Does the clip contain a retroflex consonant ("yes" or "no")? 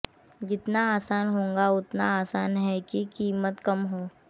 no